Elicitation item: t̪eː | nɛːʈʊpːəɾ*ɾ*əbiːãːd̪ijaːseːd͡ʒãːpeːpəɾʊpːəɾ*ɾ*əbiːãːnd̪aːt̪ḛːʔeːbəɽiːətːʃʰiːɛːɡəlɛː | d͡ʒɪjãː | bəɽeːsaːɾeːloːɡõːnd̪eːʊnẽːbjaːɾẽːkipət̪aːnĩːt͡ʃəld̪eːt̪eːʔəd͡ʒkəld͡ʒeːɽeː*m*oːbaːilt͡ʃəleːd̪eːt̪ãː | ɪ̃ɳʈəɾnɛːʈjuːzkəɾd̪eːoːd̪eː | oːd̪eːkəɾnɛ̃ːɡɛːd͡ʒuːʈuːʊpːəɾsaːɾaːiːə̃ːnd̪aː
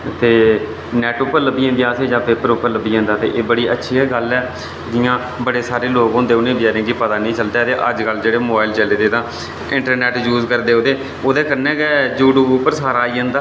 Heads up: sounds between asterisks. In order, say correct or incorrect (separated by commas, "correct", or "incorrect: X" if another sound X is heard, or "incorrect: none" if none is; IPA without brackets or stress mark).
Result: incorrect: l, incorrect: l, correct